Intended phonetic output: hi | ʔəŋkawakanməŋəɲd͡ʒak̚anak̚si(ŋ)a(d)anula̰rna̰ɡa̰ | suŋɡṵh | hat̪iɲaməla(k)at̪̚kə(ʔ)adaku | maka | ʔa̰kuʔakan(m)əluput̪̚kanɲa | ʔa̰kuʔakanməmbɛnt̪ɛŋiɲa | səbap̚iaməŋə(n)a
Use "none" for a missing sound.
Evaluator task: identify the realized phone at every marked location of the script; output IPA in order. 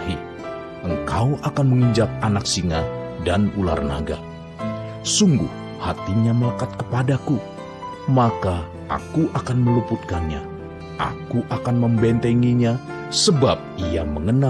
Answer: ŋ, d, k, p, m, n

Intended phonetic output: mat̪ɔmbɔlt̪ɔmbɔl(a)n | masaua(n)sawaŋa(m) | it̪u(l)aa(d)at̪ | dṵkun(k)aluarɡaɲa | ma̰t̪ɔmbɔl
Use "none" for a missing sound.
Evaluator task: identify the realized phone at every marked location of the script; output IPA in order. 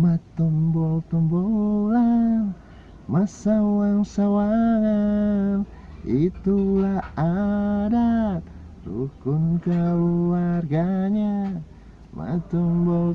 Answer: a, ŋ, n, l, d, k

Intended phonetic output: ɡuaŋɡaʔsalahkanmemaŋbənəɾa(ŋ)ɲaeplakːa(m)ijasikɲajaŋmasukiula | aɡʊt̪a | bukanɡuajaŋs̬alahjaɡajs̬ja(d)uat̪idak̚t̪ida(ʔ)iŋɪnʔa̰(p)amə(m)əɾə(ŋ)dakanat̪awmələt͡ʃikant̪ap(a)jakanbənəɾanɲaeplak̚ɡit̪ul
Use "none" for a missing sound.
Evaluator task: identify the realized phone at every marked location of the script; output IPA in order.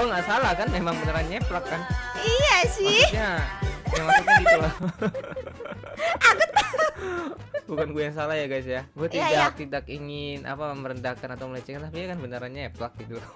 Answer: n, n, ɡ, k, p, m, n, i

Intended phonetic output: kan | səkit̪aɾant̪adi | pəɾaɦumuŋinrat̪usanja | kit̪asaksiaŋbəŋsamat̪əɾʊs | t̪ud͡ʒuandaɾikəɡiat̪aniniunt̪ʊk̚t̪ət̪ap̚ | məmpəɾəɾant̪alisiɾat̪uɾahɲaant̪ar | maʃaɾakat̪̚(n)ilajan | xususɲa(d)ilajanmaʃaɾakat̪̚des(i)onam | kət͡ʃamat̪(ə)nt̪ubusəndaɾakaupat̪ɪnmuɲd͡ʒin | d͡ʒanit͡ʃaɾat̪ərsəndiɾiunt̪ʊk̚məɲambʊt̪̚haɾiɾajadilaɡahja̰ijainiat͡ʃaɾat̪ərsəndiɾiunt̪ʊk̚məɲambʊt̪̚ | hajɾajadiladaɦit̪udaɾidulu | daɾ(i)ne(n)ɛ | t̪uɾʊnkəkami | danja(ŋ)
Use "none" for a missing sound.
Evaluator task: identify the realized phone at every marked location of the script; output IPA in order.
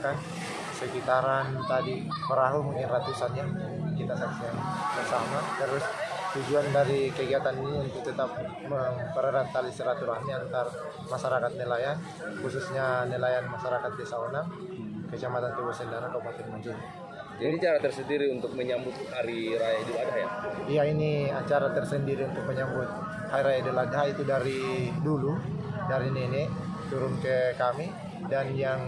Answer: n, n, a, a, i, n, ŋ

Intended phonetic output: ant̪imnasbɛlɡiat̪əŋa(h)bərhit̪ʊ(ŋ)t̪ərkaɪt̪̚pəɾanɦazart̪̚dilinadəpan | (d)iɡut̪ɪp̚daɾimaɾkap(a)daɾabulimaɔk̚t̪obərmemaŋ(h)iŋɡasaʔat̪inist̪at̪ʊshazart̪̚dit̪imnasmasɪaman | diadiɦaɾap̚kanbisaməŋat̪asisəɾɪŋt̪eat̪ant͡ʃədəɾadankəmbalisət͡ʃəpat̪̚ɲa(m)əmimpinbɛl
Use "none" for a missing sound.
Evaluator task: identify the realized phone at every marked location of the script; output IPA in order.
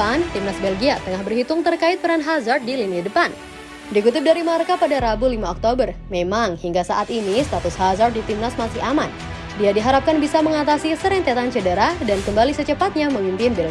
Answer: h, ŋ, d, a, h, m

